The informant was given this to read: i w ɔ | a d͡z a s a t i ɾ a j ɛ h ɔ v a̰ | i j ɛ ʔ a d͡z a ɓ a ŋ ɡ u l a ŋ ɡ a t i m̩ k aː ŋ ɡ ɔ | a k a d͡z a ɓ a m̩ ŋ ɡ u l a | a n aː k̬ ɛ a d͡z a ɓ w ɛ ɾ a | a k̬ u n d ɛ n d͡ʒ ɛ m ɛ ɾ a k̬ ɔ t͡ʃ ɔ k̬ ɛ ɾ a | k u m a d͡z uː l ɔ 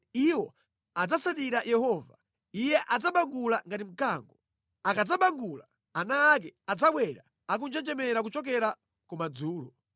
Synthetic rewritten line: i w ɔ | a d͡z a s a t i ɾ a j ɛ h ɔ v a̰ | i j ɛ ʔ a d͡z a ɓ a ŋ ɡ u l a ŋ ɡ a t i m̩ k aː ŋ ɡ ɔ | a k a d͡z a ɓ a ŋ ɡ u l a | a n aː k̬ ɛ a d͡z a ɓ w ɛ ɾ a | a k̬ u n d͡ʒ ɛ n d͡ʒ ɛ m ɛ ɾ a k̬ u t͡ʃ ɔ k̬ ɛ ɾ a | k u m a d͡z uː l ɔ